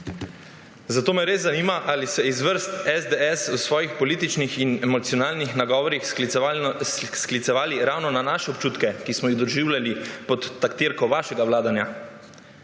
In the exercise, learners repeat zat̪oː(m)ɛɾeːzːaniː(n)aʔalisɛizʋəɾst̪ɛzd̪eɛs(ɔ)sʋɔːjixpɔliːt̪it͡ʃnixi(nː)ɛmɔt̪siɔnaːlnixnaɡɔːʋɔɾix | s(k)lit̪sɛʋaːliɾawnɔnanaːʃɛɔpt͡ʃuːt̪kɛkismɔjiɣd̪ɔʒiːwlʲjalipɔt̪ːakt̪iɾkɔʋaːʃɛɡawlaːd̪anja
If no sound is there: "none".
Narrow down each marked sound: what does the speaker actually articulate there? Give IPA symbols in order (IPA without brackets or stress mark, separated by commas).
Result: m, m, u, n, k